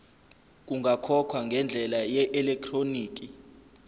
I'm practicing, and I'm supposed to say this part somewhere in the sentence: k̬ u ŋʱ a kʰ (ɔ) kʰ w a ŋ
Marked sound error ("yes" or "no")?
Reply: no